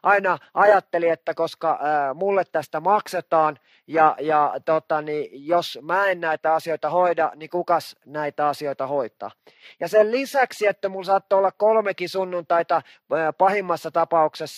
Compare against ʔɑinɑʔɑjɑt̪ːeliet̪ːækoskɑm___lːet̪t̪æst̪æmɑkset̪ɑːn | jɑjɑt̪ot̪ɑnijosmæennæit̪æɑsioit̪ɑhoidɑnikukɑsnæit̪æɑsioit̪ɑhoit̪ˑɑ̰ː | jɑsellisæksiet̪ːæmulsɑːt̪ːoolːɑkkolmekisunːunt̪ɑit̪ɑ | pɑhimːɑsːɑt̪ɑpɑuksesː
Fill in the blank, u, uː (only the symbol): u